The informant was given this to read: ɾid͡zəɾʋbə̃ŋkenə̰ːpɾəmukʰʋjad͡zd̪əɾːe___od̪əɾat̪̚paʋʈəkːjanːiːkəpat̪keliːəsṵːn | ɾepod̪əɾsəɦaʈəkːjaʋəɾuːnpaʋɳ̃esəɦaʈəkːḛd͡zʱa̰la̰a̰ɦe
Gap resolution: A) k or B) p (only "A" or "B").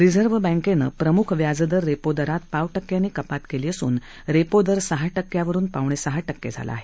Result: B